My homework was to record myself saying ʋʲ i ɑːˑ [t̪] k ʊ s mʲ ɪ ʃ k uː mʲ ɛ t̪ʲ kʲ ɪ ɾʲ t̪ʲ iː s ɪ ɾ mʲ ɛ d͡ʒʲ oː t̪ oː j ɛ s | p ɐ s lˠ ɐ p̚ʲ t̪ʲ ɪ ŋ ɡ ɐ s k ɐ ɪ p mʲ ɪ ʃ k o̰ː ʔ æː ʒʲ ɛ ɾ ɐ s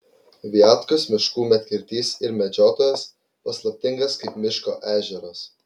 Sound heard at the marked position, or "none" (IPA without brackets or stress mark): t̪